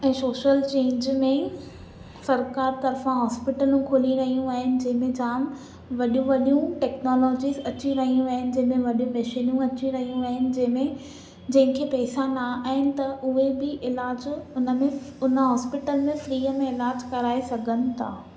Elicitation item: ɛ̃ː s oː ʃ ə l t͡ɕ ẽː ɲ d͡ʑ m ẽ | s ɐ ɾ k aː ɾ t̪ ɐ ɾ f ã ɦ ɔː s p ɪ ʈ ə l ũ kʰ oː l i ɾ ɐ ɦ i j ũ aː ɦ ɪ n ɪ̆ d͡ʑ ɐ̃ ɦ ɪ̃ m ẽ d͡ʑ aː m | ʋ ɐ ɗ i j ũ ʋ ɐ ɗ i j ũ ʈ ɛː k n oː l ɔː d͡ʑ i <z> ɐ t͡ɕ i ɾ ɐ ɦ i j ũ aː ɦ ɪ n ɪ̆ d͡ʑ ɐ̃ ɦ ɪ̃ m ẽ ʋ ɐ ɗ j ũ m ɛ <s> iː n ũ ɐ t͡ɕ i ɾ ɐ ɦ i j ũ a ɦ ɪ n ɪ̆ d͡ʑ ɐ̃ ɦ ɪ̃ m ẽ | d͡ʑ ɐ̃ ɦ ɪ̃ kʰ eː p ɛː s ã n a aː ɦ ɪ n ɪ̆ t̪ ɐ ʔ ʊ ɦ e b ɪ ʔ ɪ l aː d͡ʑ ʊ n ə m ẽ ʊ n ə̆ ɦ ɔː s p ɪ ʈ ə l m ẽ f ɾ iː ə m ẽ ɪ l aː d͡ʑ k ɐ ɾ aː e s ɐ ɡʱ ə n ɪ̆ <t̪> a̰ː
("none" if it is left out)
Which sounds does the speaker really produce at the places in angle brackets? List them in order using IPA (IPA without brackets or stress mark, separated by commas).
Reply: z, ʃ, t̪ʰ